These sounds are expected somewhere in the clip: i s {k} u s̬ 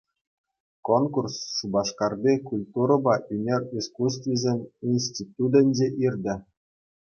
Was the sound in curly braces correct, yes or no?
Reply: yes